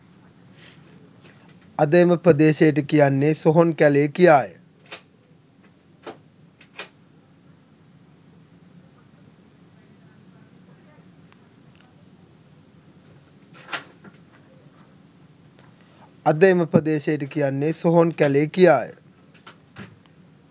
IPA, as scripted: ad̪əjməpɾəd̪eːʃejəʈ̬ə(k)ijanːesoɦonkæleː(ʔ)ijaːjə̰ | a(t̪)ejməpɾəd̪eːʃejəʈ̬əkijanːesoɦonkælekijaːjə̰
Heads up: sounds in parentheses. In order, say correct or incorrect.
correct, incorrect: k, incorrect: d̪

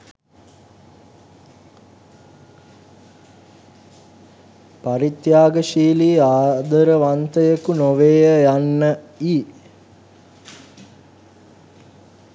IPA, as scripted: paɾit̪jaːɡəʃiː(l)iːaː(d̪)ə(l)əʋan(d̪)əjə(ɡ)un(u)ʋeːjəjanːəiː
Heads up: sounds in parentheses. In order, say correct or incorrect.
correct, correct, incorrect: ɾ, incorrect: t̪, incorrect: k, incorrect: o

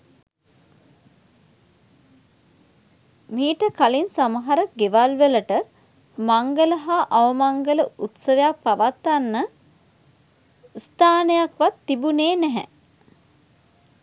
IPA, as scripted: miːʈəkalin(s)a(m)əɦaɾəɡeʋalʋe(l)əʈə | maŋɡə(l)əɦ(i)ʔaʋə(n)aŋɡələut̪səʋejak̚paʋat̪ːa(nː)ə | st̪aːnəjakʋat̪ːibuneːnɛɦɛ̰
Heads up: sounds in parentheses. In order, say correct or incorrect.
correct, correct, correct, correct, incorrect: a, incorrect: m, correct

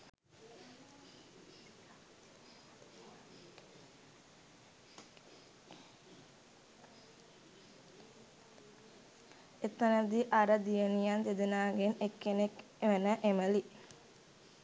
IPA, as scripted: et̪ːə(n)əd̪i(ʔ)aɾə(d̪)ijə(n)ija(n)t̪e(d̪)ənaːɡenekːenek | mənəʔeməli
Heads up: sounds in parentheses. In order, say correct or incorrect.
correct, correct, correct, correct, correct, correct

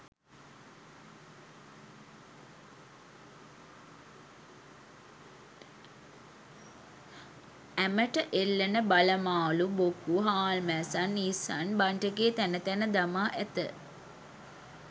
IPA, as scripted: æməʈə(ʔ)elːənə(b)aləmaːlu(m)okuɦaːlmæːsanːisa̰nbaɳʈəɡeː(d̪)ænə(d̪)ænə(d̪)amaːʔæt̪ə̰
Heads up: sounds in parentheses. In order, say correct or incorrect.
correct, correct, incorrect: b, incorrect: t̪, incorrect: t̪, correct

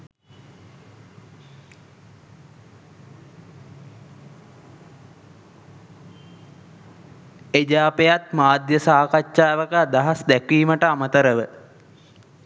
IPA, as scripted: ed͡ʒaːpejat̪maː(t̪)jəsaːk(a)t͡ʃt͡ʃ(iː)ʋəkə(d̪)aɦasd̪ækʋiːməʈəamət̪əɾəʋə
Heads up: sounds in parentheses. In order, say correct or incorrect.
incorrect: d̪, correct, incorrect: aː, correct

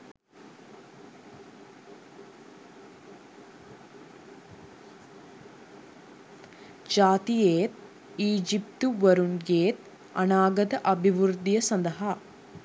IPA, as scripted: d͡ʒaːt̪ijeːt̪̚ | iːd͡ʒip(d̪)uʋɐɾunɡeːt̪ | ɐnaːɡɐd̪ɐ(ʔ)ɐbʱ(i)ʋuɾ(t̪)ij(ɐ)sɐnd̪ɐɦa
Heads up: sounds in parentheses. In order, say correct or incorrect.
incorrect: t̪, correct, correct, incorrect: d̪, correct

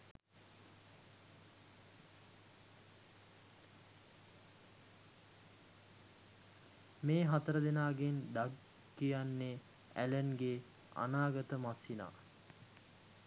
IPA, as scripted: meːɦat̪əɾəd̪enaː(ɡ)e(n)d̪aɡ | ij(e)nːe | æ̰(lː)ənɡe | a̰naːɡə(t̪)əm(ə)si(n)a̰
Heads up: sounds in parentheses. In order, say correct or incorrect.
correct, correct, incorrect: a, incorrect: l, correct, incorrect: a, correct

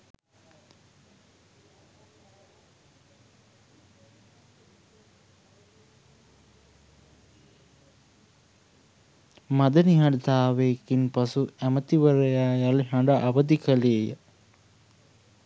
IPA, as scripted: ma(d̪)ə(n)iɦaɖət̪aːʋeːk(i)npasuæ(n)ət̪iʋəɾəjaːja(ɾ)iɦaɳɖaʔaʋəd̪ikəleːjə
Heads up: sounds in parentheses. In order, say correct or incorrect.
correct, correct, correct, incorrect: m, incorrect: l

